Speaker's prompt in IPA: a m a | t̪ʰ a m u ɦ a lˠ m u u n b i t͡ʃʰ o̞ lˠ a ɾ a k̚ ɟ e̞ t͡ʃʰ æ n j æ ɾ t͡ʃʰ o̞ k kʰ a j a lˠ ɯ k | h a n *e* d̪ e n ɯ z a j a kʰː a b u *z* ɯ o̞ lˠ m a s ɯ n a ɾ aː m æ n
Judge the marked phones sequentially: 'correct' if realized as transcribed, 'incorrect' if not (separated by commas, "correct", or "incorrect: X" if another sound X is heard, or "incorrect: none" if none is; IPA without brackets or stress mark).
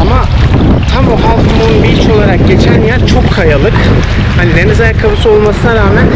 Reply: incorrect: i, incorrect: s